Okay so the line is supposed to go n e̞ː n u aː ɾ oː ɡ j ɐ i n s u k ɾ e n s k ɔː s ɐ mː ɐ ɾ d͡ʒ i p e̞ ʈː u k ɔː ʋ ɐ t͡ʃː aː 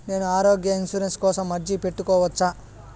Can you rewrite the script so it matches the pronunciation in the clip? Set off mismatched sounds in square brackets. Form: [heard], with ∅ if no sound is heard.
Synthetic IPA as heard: n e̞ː n u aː ɾ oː ɡ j ɐ i n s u [∅] ɾ e n s k ɔː s ɐ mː ɐ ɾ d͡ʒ i p e̞ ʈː u k ɔː ʋ ɐ t͡ʃː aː